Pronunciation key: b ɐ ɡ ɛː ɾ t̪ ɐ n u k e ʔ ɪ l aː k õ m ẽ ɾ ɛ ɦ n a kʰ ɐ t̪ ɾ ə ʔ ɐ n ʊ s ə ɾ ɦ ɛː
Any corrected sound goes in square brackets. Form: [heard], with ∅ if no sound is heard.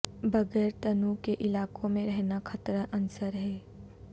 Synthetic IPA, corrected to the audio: b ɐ ɡ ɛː ɾ t̪ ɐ n u k e ʔ ɪ l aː k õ m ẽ ɾ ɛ ɦ n a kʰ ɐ t̪ ɾ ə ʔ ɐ n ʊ s ə ɾ ɦ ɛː

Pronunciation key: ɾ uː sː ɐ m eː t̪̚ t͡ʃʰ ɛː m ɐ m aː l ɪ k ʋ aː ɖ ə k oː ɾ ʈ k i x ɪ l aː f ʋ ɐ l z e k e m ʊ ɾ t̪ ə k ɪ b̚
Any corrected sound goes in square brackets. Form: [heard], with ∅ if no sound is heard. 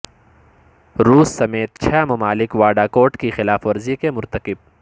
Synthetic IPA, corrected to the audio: ɾ uː sː ɐ m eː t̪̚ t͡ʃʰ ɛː m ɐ m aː l ɪ k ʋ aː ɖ [a] k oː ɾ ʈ k i x ɪ l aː f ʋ ɐ [ɾ] z [i] k e m ʊ ɾ t̪ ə k ɪ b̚

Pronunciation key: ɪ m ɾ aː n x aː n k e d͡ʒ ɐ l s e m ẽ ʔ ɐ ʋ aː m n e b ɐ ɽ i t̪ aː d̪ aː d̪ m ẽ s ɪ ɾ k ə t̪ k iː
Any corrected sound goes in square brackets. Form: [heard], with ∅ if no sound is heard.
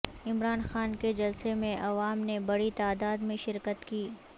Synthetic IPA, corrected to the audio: ɪ m ɾ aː n x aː n k e d͡ʒ ɐ l s e m ẽ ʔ ɐ ʋ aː m n e b ɐ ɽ i t̪ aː d̪ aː d̪ m ẽ [ʃ] ɪ ɾ k ə t̪ k iː

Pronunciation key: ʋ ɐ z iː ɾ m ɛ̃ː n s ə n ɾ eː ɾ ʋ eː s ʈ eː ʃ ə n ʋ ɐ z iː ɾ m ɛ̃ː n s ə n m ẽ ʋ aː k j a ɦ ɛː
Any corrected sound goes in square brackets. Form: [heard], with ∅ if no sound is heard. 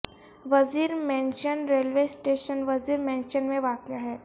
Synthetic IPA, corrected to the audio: ʋ ɐ z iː ɾ m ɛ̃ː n [ʃ] ə n ɾ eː [l] ʋ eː s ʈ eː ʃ ə n ʋ ɐ z iː ɾ m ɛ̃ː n [ʃ] ə n m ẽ ʋ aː k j a ɦ ɛː

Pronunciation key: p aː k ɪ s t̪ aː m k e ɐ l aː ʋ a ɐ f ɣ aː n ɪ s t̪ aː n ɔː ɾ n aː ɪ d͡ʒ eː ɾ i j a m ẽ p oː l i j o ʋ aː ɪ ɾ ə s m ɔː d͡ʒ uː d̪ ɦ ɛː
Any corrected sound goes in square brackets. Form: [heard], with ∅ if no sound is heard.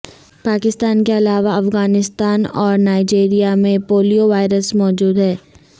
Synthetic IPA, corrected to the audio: p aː k ɪ s t̪ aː [n] k e ɐ l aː ʋ a ɐ f ɣ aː n ɪ s t̪ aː n ɔː ɾ n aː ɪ d͡ʒ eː ɾ i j a m ẽ p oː l i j o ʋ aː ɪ ɾ ə s m ɔː d͡ʒ uː d̪ ɦ ɛː

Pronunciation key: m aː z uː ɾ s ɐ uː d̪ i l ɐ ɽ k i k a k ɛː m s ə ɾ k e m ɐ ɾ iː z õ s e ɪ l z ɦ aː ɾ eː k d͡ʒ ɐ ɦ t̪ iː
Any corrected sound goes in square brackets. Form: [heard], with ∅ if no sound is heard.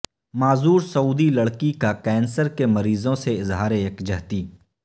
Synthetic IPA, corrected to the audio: m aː z uː ɾ s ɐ uː d̪ i l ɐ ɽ k i k a k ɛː [n] s ə ɾ k e m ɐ ɾ iː z õ s e ɪ [∅] z ɦ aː ɾ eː k d͡ʒ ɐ ɦ t̪ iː

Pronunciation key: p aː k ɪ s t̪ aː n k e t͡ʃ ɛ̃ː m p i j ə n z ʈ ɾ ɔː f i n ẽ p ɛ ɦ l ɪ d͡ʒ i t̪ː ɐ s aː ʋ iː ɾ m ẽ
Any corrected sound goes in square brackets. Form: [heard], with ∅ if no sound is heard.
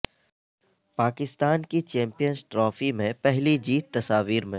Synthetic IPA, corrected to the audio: p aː k ɪ s t̪ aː n k [i] t͡ʃ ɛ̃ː m p i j ə n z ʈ ɾ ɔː f i [m] ẽ p ɛ ɦ l [i] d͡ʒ [iː] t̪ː ɐ s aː ʋ iː ɾ m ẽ

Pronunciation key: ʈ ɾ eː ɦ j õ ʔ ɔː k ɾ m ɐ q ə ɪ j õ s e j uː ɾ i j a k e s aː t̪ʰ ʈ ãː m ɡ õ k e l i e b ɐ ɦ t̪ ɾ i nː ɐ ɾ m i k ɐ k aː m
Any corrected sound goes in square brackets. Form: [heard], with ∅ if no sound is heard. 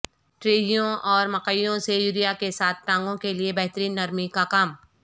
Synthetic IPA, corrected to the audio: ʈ ɾ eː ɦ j õ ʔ ɔː [∅] ɾ m ɐ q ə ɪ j õ s e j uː ɾ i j a k e s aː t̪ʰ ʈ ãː [ŋ] ɡ õ k e l i e b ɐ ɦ t̪ ɾ [iː] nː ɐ ɾ m i k [a] k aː m

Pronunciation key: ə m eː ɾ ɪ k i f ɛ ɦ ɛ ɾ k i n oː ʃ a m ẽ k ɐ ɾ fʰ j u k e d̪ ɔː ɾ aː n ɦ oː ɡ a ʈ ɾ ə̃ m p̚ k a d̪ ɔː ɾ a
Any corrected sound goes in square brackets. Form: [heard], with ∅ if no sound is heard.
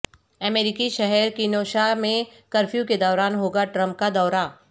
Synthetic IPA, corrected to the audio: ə m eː ɾ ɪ k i [ʃ] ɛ ɦ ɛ ɾ k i n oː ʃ a m ẽ k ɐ ɾ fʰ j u k e d̪ ɔː ɾ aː n ɦ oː ɡ a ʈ ɾ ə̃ m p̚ k a d̪ ɔː ɾ a

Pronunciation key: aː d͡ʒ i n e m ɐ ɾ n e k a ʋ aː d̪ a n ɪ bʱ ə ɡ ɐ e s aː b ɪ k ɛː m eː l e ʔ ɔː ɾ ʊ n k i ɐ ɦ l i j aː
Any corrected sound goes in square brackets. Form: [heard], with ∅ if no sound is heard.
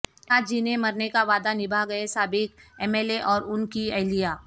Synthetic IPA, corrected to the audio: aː d͡ʒ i n e m ɐ ɾ n e k a ʋ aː d̪ a n ɪ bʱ [a] ɡ ɐ e s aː b ɪ k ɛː m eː l e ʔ ɔː ɾ ʊ n k i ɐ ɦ l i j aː

